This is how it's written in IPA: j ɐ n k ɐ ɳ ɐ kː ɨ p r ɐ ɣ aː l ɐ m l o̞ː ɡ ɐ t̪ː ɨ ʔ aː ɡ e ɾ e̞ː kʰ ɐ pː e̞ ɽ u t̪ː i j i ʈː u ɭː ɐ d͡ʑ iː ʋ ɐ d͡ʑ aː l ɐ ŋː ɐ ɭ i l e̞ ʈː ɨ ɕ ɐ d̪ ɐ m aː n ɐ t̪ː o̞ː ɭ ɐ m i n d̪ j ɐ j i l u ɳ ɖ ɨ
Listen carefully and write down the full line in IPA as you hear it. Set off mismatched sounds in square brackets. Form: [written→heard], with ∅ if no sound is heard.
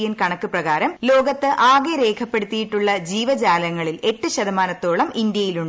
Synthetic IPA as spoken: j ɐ n k ɐ ɳ ɐ kː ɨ p r ɐ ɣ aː [l→ɾ] ɐ m l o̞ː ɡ ɐ t̪ː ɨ ʔ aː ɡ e ɾ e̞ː kʰ ɐ pː e̞ ɽ u t̪ː i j i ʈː u ɭː ɐ d͡ʑ iː ʋ ɐ d͡ʑ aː l ɐ ŋː ɐ ɭ i l e̞ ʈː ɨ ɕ ɐ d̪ ɐ m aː n ɐ t̪ː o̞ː ɭ ɐ m i n d̪ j ɐ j i l u ɳ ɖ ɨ